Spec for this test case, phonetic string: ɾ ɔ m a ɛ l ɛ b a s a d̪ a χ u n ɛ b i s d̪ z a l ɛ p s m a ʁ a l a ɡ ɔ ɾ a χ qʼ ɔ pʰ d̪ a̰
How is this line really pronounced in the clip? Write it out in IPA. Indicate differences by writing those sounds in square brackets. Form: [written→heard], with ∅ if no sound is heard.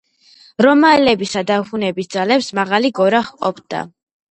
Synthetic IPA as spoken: ɾ ɔ m a ɛ l ɛ b [a→i] s a d̪ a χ u n ɛ b i s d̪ z a l ɛ p s m a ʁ a l [a→i] ɡ ɔ ɾ a χ qʼ ɔ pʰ d̪ a̰